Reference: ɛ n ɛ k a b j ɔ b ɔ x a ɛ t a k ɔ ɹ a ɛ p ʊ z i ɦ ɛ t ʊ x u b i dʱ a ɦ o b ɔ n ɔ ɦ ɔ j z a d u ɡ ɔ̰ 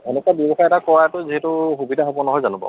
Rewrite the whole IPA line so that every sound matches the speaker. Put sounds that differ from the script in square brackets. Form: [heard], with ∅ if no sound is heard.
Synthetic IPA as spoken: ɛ n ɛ k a b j ɔ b ɔ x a ɛ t a k ɔ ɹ a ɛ [t] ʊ z i ɦ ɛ t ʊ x u b i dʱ a ɦ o b ɔ n ɔ ɦ ɔ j z a [n] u [b] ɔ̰

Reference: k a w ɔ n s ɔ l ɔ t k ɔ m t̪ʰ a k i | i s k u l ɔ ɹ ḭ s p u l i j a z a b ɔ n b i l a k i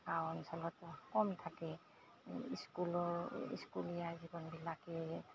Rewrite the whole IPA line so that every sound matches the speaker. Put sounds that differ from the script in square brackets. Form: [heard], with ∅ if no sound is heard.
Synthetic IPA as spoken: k a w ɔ n s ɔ l ɔ t k ɔ m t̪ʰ a k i | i s k u l ɔ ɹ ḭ s [k] u l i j a z [i] b ɔ n b i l a k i

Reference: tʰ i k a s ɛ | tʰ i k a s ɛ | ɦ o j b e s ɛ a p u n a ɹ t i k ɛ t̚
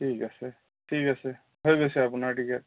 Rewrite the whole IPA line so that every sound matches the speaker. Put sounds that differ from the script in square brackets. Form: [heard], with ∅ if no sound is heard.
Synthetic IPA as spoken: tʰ i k a s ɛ | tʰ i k a s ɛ | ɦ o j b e s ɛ a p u n a ɹ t i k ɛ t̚

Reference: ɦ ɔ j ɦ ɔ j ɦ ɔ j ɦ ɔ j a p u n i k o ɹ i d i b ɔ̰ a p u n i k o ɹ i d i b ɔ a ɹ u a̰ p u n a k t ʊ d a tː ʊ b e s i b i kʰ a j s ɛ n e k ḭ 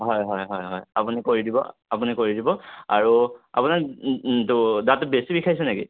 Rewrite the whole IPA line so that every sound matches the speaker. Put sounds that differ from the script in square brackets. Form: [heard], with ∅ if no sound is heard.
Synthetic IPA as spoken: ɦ ɔ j ɦ ɔ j ɦ ɔ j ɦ ɔ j a p u n i k o ɹ i d i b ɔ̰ a p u n i k o ɹ i d i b ɔ a ɹ u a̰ p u n a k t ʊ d a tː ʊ b e s i b i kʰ a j s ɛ n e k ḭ

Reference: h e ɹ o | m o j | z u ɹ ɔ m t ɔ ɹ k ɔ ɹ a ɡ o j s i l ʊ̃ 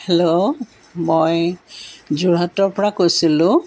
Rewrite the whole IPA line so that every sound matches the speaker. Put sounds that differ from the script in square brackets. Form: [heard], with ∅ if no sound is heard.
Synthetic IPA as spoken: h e [l] o | m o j | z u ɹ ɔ [∅] t ɔ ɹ [p] ɔ ɹ a [k] o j s i l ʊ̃

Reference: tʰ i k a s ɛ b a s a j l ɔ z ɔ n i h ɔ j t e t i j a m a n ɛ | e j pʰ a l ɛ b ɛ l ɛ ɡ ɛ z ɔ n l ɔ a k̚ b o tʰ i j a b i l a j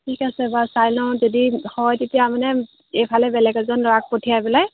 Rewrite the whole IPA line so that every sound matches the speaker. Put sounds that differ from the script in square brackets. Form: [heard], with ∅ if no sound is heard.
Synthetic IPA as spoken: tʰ i k a s ɛ b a s a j l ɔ z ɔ [d] i h ɔ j t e t i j a m a n ɛ | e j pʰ a l ɛ b ɛ l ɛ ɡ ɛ z ɔ n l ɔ a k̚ [p] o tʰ i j a b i l a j

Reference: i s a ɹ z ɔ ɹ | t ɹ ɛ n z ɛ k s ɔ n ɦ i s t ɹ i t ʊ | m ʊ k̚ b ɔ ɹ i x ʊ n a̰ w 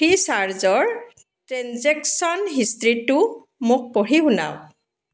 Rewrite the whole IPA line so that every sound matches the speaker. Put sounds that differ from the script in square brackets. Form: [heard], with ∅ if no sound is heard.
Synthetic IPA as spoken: i s a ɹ z ɔ ɹ | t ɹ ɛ n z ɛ k s ɔ n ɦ i s t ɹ i t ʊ | m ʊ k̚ [p] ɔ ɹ i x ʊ n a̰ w

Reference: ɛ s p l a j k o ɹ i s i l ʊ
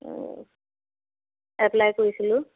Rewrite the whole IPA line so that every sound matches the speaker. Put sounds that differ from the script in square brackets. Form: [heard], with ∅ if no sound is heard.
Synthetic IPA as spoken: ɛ [∅] p l a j k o ɹ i s i l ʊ

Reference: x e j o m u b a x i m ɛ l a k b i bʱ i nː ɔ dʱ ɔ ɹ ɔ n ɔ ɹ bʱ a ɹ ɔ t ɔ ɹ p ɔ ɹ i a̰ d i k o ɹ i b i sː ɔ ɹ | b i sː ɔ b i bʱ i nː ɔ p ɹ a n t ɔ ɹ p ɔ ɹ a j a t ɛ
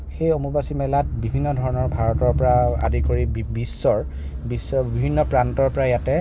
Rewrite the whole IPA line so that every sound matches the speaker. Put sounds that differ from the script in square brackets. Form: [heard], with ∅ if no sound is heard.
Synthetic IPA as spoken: x e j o m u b a [s] i m ɛ l a [t] b i bʱ i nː ɔ dʱ ɔ ɹ ɔ n ɔ ɹ bʱ a ɹ ɔ t ɔ ɹ p ɔ ɹ [a] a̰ d i k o ɹ i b i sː ɔ ɹ | b i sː ɔ b i bʱ i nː ɔ p ɹ a n t ɔ ɹ p ɔ ɹ a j a t ɛ

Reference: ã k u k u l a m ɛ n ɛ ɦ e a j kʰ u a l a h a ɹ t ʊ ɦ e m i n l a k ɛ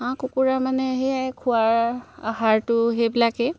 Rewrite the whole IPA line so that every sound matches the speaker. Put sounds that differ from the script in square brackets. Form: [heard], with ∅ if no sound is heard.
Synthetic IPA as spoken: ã k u k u [ɹ] a m [a] n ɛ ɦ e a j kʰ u a [ɹ] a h a ɹ t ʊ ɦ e [b] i [∅] l a k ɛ

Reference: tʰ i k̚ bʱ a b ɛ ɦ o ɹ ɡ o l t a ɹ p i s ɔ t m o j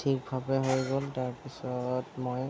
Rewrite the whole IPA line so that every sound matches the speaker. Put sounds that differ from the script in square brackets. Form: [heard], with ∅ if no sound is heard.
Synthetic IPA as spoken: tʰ i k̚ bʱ a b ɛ ɦ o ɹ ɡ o l t a ɹ p i s ɔ t m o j

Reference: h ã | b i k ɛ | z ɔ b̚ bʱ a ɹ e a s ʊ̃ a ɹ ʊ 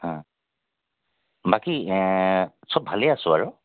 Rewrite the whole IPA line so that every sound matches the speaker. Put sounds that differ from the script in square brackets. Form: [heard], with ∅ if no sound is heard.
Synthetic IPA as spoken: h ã | b [a] k [i] | [s] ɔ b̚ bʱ a [l] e a s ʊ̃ a ɹ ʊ

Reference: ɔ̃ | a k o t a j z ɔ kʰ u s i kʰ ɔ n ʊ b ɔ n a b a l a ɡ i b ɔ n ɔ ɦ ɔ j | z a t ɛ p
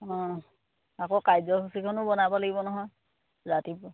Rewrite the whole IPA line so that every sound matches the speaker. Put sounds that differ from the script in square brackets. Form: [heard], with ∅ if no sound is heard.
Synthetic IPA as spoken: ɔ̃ | a k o [k] a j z ɔ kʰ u s i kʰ ɔ n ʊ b ɔ n a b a l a ɡ i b ɔ n ɔ ɦ ɔ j | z a t [i] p

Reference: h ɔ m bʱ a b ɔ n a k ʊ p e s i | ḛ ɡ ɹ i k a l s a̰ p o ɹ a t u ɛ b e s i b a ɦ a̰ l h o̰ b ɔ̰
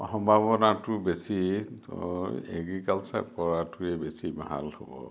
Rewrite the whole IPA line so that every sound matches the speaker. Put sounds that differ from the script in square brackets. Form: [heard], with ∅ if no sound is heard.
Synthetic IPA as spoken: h ɔ m bʱ a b ɔ n a [t] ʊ [b] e s i | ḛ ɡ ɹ i k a l s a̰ p [ɔ] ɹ a t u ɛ b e s i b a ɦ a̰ l h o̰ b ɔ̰

